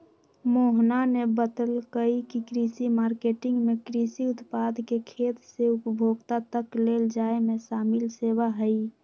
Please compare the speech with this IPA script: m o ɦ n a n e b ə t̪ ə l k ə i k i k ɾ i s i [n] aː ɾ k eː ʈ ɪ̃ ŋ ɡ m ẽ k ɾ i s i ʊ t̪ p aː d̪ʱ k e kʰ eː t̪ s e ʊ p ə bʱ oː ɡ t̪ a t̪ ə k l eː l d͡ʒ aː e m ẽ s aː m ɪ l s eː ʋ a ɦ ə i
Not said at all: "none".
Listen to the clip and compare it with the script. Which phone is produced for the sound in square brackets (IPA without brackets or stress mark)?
m